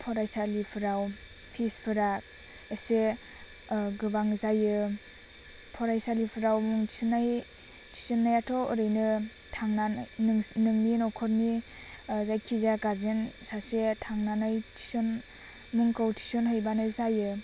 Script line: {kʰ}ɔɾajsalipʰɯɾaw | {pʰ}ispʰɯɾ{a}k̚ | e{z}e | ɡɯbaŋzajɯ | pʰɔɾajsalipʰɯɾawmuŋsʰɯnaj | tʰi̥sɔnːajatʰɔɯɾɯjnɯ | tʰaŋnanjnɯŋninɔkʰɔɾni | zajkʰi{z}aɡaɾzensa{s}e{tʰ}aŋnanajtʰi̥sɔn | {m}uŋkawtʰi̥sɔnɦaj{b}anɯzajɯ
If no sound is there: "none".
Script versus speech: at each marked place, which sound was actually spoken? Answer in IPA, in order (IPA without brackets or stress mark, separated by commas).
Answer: pʰ, pʰ, a, s, z, s, tʰ, m, b